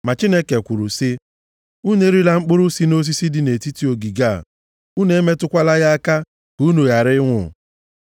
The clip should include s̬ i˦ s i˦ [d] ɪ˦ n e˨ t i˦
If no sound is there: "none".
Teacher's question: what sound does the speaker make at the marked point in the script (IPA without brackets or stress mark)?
d